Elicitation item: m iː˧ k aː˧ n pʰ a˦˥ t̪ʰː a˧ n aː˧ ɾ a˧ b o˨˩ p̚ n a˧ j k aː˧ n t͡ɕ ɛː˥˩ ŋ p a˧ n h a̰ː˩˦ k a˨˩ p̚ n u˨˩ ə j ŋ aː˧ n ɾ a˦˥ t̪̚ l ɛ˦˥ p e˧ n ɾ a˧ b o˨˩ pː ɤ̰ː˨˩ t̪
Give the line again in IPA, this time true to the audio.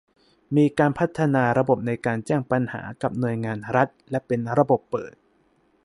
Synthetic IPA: m iː˧ k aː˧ n pʰ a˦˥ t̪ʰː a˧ n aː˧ ɾ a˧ b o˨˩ p̚ n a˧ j k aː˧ n t͡ɕ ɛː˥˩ ŋ p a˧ n h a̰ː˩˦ k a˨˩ p̚ n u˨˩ ə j ŋ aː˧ n ɾ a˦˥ t̪̚ l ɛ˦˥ p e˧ n ɾ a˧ b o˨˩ pː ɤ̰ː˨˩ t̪